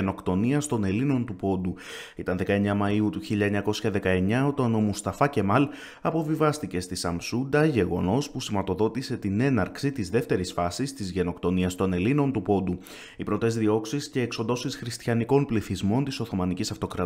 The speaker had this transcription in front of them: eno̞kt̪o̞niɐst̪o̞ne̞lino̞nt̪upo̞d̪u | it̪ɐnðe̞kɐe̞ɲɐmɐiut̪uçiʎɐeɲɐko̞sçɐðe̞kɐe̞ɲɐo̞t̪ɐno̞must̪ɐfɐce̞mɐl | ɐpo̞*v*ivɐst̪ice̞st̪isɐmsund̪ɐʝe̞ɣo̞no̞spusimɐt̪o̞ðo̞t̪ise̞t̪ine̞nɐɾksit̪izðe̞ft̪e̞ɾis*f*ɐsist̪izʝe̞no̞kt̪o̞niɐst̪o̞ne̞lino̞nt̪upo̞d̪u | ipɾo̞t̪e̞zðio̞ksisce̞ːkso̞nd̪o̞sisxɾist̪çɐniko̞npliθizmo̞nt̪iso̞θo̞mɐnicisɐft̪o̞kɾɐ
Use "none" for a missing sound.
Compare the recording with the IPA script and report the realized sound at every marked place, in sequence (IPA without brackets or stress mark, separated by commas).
v, f